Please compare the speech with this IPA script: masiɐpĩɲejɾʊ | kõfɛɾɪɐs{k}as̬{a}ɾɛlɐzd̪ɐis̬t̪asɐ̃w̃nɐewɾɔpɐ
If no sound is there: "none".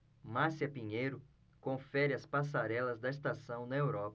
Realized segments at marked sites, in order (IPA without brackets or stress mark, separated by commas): p, a